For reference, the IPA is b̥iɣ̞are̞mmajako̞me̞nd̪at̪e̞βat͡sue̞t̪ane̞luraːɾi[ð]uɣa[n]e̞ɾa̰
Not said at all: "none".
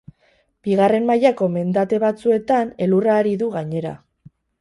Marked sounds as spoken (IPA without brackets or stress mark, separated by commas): ð, ɲ